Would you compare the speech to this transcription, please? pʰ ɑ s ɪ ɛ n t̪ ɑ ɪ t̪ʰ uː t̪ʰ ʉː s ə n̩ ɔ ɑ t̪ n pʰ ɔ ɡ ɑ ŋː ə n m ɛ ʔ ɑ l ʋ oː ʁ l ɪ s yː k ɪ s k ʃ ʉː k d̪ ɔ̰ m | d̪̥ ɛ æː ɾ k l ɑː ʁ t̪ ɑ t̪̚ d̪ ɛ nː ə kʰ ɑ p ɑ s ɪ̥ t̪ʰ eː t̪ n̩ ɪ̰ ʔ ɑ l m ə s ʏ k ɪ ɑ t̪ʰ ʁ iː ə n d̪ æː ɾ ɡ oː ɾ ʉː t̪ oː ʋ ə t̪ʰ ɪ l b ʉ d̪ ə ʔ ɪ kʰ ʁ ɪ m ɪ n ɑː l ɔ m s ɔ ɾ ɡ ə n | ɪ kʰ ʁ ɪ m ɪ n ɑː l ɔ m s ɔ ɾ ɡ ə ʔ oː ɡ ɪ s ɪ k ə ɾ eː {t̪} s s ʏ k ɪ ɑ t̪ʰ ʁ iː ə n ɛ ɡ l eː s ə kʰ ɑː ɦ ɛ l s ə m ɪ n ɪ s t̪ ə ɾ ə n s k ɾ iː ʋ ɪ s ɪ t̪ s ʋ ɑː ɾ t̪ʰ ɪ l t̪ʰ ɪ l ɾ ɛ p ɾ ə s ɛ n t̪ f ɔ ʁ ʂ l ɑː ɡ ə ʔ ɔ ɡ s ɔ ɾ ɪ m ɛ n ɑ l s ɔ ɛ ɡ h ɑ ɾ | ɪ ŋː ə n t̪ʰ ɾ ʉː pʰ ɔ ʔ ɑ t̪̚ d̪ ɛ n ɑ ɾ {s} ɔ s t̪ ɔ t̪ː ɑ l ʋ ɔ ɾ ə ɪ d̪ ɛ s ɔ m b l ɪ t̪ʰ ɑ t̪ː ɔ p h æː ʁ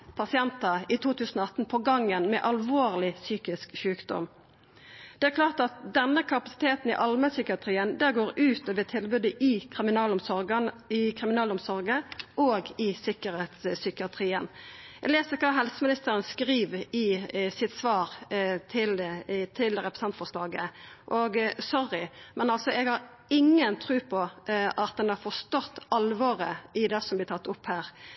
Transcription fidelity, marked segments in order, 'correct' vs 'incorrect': correct, incorrect: f

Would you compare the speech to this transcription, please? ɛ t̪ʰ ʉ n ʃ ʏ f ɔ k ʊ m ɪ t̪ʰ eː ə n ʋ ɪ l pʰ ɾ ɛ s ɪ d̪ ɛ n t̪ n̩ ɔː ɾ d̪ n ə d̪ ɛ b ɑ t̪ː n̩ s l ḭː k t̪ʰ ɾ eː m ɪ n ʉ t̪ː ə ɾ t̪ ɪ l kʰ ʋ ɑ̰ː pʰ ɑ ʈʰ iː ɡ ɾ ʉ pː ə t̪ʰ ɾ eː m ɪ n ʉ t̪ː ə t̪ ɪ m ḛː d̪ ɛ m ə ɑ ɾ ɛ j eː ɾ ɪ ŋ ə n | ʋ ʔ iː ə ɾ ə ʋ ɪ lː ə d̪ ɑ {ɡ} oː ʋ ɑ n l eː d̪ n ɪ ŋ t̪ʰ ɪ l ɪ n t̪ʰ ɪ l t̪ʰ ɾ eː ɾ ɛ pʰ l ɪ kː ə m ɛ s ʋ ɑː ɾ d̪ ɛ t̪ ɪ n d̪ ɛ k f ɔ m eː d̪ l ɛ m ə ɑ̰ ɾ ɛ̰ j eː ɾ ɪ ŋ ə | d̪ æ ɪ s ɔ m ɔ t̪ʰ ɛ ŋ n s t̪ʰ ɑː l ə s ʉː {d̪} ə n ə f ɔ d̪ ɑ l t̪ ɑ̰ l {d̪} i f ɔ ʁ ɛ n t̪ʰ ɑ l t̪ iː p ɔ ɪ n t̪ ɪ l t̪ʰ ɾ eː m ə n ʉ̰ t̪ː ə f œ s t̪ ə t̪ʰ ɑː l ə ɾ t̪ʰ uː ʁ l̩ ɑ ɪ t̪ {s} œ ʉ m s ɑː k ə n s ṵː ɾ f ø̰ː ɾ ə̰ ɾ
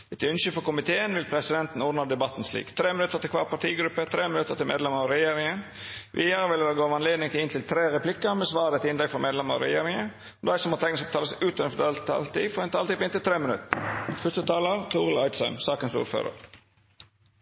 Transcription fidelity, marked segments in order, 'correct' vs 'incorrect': correct, incorrect: t̪, incorrect: t̪, correct

